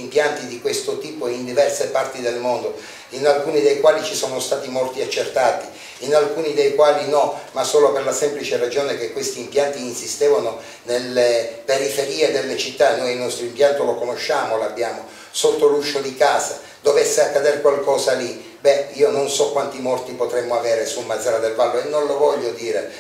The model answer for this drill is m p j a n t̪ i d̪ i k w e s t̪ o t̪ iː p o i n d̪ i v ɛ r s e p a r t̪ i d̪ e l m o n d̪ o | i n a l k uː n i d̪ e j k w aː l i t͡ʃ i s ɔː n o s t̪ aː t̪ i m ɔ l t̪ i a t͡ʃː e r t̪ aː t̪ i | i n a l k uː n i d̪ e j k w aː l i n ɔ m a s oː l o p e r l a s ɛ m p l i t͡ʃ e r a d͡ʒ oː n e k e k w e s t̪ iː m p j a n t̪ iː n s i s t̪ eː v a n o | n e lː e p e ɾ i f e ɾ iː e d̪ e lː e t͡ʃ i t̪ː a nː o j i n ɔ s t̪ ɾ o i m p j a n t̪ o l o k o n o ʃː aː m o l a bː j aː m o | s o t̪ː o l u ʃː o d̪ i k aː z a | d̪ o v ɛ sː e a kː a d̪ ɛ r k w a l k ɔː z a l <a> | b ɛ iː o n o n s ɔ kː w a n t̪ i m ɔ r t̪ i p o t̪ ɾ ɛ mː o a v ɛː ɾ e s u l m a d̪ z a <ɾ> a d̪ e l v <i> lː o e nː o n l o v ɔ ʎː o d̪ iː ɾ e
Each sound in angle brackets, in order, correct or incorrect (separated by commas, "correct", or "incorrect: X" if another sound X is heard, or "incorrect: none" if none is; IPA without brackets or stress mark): incorrect: i, correct, incorrect: a